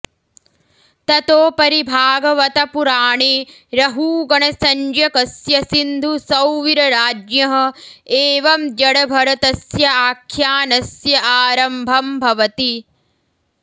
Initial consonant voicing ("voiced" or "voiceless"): voiceless